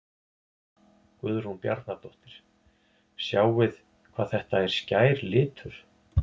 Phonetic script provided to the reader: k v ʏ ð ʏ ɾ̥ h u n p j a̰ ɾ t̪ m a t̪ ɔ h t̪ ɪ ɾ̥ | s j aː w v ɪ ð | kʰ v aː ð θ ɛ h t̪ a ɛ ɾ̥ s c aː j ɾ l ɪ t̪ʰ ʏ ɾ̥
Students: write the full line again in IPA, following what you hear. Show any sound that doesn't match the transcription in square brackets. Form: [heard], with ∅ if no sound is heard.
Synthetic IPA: k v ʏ ð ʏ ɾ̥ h u n p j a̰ ɾ t̪ [n] a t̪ ɔ h t̪ ɪ ɾ̥ | s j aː w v ɪ ð | kʰ v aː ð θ ɛ h t̪ a ɛ ɾ̥ s c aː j ɾ l [ɪː] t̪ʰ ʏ ɾ̥